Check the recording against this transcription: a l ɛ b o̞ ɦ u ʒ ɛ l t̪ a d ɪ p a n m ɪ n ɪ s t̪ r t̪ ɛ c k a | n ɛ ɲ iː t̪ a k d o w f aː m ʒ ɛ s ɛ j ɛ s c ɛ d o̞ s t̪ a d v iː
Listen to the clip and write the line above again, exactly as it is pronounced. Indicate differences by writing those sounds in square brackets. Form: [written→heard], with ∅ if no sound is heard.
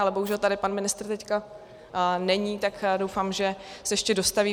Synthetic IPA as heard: a l ɛ b o̞ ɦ u ʒ ɛ l t̪ a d ɪ p a n m ɪ n ɪ s t̪ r t̪ ɛ c k a | n ɛ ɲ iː t̪ a k d o w f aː m ʒ ɛ s ɛ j ɛ [s→ʃ] c ɛ d o̞ s t̪ a [d→∅] v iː